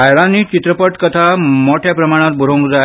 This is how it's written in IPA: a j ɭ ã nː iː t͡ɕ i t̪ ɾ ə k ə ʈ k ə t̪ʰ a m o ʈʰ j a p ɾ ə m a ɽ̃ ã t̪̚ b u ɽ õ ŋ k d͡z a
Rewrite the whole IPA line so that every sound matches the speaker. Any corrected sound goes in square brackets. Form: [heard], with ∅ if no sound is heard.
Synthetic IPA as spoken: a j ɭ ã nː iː t͡ɕ i t̪ ɾ ə [p] ə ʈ k ə t̪ʰ a m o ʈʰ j a p ɾ ə m a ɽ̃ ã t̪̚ b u [ɾ] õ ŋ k d͡z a